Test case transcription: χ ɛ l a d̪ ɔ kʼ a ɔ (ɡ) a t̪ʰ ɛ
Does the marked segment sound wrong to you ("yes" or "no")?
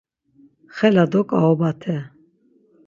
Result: yes